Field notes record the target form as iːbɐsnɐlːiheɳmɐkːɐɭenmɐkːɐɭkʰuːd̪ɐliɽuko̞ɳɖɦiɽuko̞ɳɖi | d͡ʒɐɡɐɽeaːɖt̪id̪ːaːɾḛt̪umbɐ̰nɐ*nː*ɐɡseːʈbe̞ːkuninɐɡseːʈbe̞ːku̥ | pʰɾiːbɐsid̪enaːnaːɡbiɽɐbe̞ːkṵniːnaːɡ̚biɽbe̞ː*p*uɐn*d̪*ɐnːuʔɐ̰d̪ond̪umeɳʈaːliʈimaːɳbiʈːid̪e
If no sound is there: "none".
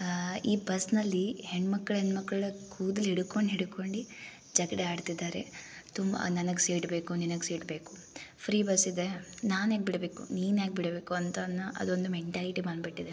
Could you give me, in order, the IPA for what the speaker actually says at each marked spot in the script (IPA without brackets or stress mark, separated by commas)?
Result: n, k, t̪